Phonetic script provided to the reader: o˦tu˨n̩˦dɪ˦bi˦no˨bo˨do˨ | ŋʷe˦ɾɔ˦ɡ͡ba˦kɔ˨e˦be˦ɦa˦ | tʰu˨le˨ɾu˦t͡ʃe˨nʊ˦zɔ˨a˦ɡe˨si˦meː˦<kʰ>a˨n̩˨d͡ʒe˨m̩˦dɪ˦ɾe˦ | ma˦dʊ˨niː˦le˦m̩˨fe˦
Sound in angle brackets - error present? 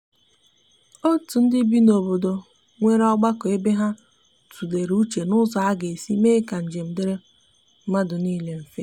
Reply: yes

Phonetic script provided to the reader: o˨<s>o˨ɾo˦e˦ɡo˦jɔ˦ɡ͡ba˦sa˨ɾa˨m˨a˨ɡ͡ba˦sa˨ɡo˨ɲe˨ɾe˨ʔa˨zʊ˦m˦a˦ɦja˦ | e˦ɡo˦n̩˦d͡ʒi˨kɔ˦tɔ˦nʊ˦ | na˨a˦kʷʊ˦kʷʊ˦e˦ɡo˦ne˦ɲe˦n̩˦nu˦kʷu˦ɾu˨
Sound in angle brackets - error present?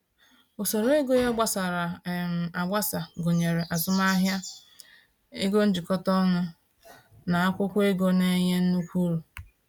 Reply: no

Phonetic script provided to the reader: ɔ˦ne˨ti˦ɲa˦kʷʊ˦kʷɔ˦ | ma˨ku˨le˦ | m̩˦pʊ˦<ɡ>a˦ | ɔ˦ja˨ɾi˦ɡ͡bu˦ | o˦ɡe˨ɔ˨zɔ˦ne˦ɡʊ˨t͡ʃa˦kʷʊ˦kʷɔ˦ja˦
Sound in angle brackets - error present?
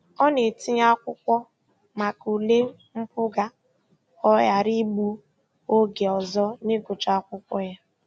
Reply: no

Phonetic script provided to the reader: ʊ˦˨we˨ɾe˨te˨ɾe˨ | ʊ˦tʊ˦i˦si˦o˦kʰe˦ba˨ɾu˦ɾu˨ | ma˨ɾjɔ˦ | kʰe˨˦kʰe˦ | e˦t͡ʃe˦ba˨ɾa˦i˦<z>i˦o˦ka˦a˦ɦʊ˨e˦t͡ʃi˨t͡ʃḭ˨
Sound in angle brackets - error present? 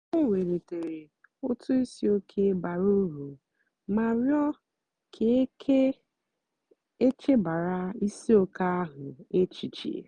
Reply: yes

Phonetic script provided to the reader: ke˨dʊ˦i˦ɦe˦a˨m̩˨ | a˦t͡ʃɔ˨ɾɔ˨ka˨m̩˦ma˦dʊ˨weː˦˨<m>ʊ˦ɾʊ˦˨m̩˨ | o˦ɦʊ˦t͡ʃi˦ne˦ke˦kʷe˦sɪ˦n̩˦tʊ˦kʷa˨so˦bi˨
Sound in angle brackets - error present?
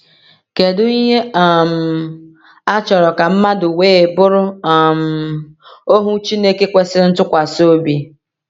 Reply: yes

